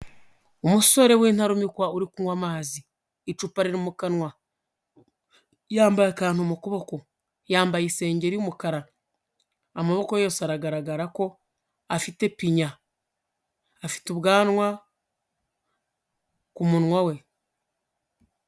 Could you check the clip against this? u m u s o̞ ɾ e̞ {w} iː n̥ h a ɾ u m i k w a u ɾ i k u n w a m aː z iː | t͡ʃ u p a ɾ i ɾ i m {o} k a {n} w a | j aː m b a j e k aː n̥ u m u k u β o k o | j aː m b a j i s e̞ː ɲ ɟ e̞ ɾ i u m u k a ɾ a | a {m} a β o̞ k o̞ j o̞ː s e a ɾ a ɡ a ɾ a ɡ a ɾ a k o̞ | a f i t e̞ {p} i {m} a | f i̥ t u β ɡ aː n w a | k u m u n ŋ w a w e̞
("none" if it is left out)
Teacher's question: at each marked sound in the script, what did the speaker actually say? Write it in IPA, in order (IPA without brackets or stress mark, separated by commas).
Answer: w, u, n, m, p, ɲ